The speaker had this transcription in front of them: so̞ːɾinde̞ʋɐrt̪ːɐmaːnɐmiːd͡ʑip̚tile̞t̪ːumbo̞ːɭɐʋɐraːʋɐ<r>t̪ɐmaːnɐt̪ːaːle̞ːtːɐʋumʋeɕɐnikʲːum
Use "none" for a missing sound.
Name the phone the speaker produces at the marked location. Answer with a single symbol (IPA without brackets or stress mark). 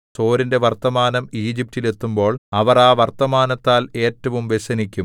r